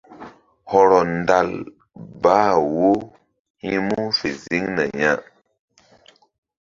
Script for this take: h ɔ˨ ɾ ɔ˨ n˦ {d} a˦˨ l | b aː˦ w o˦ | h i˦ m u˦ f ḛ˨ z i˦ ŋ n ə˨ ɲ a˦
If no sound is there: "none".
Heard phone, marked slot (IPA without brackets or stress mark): d